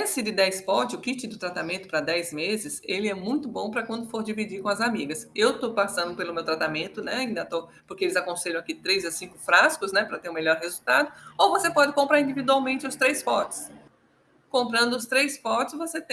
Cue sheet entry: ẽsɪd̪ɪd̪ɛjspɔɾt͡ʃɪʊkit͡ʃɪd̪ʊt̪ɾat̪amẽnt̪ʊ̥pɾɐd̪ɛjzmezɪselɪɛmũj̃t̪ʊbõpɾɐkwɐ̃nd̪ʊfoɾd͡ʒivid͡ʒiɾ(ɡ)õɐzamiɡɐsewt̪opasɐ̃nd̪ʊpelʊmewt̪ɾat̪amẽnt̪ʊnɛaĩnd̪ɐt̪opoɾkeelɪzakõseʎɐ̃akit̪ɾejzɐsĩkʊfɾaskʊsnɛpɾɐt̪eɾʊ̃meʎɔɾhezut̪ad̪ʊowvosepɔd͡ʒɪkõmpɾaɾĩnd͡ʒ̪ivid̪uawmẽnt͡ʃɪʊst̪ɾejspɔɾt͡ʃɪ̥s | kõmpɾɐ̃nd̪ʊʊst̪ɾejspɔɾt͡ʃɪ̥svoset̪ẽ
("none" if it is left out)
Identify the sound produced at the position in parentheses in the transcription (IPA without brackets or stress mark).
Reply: k